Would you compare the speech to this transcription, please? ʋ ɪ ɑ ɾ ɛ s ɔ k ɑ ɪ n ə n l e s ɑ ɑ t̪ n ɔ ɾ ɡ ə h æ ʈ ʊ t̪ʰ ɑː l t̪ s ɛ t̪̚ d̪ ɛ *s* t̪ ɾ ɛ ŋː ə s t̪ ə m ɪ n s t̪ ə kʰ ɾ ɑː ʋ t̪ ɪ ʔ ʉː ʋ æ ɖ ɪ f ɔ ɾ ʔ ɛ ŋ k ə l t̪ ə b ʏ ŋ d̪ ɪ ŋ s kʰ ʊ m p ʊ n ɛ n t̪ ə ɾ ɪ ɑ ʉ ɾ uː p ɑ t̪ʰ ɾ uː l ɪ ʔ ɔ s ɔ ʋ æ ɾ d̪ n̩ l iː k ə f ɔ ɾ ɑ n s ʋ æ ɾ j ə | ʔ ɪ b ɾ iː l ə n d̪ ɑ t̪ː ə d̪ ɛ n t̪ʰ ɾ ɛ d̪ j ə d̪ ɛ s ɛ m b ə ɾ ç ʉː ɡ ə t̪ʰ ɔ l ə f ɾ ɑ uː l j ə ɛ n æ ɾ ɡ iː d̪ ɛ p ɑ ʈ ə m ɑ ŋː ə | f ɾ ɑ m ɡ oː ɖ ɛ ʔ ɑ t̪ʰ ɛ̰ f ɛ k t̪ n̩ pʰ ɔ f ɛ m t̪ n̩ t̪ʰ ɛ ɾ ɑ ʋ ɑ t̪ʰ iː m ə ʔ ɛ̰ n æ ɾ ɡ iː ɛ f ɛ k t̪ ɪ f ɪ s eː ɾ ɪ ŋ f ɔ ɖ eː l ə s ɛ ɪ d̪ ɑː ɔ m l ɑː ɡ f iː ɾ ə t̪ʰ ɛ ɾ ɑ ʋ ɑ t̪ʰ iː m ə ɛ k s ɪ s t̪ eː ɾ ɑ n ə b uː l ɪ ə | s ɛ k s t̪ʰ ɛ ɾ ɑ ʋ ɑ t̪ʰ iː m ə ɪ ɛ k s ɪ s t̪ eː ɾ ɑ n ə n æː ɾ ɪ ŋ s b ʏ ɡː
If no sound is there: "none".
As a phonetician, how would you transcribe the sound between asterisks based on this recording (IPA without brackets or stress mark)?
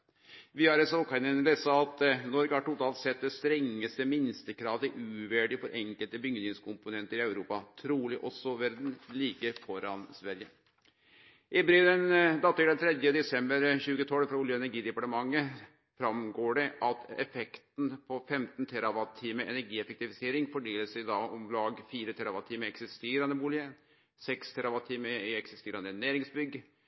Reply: s